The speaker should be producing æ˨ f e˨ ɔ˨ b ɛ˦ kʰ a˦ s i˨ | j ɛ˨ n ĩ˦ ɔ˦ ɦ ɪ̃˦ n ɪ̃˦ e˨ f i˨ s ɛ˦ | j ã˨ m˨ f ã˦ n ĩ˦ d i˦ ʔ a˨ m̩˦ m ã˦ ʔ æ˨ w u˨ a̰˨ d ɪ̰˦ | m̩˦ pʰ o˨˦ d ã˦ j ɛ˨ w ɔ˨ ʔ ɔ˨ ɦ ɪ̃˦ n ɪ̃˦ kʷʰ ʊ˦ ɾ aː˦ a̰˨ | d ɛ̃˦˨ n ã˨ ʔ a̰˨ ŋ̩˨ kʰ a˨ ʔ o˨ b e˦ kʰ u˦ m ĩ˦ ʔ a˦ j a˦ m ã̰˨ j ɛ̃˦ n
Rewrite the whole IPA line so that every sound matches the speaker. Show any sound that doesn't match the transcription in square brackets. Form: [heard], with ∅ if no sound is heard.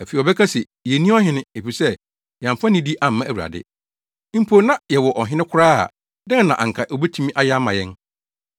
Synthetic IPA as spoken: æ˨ f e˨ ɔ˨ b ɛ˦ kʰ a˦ s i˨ | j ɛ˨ n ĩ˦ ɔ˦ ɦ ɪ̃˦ n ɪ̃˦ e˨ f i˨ s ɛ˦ | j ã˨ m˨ f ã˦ n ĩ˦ d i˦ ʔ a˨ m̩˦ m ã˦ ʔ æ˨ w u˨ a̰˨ d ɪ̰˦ | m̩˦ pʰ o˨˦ [n] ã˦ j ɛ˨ w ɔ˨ ʔ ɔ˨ ɦ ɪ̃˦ n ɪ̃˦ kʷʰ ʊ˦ ɾ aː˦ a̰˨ | d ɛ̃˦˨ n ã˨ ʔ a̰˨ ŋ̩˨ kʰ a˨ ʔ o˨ b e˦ [tʰ] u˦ m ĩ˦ ʔ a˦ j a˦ m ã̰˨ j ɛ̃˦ n

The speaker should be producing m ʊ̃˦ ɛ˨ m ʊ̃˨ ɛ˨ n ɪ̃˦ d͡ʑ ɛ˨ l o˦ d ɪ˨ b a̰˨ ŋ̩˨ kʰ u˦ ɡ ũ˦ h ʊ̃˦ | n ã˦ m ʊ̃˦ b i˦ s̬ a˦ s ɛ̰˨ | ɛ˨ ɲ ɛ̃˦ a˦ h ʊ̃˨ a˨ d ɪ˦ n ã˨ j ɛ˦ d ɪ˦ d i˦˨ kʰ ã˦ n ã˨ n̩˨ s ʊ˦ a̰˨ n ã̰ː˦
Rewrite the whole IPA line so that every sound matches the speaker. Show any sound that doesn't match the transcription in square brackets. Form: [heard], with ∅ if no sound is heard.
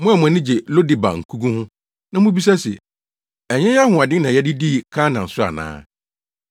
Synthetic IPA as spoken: m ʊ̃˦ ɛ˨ m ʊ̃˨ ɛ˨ n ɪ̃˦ d͡ʑ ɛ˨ l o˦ d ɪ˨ b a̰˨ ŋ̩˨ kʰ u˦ ɡ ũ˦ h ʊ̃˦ | n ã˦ m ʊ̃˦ b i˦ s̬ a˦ s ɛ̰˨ | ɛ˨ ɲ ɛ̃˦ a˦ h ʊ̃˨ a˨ d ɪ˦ n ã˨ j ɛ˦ d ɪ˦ d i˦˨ kʰ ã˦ n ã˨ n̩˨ s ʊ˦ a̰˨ n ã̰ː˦

